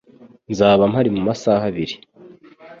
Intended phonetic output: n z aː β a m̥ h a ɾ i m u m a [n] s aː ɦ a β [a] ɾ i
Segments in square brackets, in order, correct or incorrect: incorrect: none, incorrect: i

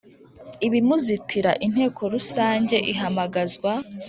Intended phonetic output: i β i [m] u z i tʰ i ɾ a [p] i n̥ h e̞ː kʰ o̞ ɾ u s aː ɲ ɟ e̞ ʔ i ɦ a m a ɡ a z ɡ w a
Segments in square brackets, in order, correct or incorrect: correct, incorrect: ʔ

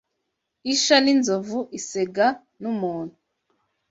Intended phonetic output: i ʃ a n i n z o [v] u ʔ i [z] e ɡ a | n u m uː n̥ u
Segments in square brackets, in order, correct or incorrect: correct, incorrect: s

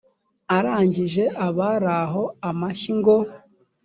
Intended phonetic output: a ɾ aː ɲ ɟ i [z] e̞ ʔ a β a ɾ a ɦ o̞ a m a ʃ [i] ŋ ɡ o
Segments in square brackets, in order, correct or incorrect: incorrect: ʒ, correct

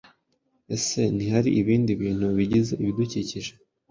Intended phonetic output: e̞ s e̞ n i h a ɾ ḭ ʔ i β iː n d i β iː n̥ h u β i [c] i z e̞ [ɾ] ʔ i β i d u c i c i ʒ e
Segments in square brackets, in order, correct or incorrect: incorrect: ɟ, incorrect: none

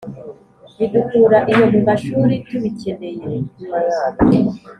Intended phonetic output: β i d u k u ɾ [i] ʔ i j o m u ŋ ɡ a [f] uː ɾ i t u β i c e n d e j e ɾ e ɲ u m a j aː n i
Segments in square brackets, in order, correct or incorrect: incorrect: a, incorrect: ʃ

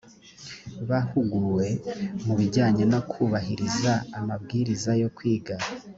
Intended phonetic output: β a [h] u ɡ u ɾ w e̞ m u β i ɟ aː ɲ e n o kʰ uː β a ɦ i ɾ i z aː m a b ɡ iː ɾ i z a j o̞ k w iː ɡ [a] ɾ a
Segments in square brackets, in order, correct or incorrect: correct, correct

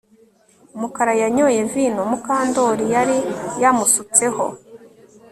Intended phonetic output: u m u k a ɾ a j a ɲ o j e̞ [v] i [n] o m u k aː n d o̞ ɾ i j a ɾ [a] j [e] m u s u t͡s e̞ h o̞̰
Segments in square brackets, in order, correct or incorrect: correct, correct, incorrect: i, incorrect: a

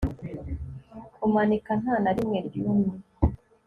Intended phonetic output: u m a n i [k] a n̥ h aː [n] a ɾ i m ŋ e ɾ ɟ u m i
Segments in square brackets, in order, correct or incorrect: correct, correct

